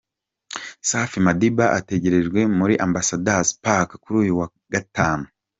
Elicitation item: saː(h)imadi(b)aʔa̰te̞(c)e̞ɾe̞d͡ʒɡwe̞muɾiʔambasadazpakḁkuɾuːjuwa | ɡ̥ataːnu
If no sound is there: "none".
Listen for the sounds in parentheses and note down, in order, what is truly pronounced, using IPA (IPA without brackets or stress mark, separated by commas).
f, b, ɟ